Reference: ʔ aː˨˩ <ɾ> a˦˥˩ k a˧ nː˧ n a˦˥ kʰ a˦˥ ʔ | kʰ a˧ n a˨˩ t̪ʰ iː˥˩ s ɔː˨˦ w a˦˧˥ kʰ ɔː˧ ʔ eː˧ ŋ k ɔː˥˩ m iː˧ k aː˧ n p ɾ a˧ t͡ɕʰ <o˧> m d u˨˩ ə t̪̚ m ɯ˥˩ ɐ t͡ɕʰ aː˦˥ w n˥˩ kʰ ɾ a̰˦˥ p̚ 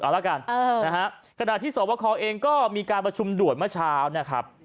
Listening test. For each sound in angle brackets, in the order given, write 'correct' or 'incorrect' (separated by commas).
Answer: incorrect, incorrect